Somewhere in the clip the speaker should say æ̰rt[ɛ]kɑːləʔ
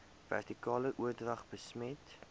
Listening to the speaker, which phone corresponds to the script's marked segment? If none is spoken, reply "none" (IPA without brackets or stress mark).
i